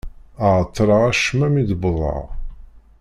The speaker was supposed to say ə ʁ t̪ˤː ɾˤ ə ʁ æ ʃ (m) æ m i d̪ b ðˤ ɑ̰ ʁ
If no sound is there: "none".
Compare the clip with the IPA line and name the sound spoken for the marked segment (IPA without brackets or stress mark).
m